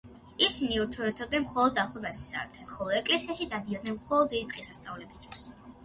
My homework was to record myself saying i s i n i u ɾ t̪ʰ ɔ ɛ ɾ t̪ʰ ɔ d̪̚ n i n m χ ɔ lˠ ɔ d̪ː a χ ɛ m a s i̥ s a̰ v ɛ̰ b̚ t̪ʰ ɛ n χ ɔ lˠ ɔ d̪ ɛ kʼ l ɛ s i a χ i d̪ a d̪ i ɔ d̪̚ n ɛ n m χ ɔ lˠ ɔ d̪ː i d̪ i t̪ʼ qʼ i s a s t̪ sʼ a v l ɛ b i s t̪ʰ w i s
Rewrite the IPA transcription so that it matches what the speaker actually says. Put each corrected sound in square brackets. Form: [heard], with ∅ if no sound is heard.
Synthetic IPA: i s i n i u ɾ t̪ʰ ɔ ɛ ɾ t̪ʰ ɔ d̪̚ n [ɛ] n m χ ɔ lˠ ɔ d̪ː a χ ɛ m a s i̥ s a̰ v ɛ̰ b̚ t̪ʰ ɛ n χ ɔ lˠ ɔ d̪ ɛ kʼ l ɛ s i a [ʃ] i d̪ a d̪ i ɔ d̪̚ n ɛ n m χ ɔ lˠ ɔ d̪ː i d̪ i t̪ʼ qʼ i s a s t̪ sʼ a v l ɛ b i s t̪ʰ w i s